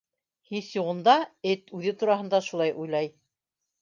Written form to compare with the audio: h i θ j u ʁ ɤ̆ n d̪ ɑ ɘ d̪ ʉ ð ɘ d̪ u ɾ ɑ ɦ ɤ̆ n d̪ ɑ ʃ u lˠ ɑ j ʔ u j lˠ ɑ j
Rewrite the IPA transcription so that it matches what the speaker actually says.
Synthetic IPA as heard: h i θ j u ʁ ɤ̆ n d̪ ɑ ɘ t̪ ʉ ð ɘ t̪ u ɾ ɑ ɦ ɤ̆ n d̪ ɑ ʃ u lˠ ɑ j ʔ u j lˠ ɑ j